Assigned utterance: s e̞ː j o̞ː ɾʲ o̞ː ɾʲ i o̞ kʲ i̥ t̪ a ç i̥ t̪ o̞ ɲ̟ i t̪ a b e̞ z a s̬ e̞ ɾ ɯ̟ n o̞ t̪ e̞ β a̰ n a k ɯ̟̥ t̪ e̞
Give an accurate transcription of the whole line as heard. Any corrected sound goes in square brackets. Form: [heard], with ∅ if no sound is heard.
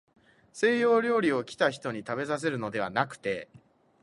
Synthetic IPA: s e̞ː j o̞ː ɾʲ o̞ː ɾʲ i o̞ kʲ i̥ t̪ a ç i̥ t̪ o̞ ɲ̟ i t̪ a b e̞ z a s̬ e̞ ɾ ɯ̟ n o̞ [d̪] e̞ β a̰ n a k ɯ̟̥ t̪ e̞